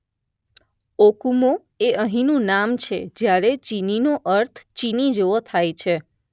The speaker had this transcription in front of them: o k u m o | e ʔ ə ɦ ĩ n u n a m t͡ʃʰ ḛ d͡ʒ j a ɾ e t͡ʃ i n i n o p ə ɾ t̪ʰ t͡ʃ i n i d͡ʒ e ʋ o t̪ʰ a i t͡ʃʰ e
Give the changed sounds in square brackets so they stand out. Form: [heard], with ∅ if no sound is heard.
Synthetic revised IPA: o k u m o | e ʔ ə ɦ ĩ n [ũ] n a m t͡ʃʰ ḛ d͡ʒ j a ɾ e t͡ʃ i n i n o [ʔ] ə ɾ t̪ʰ t͡ʃ i n i d͡ʒ e ʋ o t̪ʰ a [j] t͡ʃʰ e